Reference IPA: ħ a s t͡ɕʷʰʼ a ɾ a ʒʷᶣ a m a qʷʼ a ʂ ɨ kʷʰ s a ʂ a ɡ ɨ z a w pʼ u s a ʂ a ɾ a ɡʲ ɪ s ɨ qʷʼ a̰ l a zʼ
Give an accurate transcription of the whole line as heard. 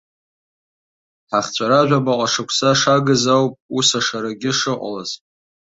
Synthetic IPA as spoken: ħ a χ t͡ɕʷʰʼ a ɾ a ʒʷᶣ a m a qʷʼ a ʂ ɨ kʷʰ s a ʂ a ɡ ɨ z a w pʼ u s a ʂ a ɾ a ɡʲ ɪ ʂ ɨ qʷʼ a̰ l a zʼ